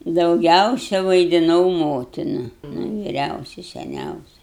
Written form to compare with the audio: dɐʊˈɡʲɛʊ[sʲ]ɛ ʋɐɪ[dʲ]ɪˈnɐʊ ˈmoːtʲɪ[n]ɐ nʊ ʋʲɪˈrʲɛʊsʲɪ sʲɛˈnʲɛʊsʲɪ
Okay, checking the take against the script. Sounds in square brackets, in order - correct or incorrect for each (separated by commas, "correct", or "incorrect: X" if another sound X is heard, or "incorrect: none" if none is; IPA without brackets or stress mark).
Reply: correct, correct, correct